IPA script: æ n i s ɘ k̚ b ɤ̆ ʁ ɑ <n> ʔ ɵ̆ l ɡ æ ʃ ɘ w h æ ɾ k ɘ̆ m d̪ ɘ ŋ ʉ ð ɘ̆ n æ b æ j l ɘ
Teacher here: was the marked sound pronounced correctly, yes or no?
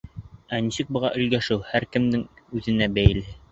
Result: no